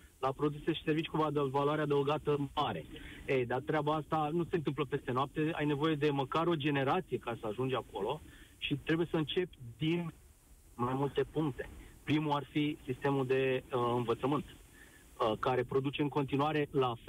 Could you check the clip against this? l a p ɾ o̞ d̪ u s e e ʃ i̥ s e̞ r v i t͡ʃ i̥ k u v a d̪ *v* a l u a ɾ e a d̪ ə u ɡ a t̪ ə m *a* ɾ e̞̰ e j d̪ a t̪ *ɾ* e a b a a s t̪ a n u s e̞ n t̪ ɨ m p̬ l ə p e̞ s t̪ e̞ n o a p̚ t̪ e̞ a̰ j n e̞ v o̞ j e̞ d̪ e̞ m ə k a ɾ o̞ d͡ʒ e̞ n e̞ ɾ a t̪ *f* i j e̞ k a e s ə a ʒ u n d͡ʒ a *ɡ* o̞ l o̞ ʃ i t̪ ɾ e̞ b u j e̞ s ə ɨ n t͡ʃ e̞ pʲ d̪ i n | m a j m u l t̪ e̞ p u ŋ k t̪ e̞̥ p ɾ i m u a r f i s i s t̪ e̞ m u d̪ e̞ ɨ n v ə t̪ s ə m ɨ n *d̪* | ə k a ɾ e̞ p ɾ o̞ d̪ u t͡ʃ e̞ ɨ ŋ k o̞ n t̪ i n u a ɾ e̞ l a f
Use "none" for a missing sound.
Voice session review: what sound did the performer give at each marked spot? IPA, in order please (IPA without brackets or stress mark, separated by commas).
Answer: v, a, ɾ, s, k, t̪